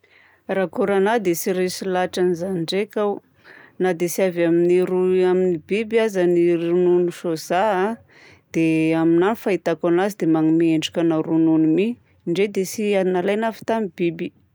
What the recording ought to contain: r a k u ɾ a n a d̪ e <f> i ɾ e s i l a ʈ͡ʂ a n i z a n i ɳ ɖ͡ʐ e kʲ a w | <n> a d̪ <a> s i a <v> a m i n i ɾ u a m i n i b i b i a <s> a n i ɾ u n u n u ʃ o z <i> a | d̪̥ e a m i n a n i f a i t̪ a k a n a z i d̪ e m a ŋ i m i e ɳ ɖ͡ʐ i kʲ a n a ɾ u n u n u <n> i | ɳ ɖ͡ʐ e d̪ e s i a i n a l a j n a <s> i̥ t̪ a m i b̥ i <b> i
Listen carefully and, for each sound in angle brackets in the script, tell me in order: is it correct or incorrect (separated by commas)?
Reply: incorrect, correct, incorrect, correct, incorrect, incorrect, incorrect, incorrect, correct